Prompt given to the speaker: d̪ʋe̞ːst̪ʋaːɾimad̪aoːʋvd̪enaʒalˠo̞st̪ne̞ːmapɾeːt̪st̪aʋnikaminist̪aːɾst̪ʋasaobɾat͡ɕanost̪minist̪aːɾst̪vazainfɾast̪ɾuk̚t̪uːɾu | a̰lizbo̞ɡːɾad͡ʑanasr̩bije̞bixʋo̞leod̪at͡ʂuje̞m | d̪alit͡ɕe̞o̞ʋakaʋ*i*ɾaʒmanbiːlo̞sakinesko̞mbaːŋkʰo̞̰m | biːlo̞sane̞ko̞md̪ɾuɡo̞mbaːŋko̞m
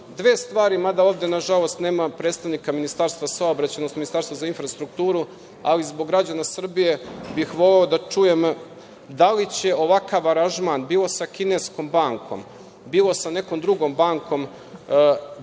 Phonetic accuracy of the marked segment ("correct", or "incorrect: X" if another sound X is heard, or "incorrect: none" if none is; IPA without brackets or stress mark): incorrect: a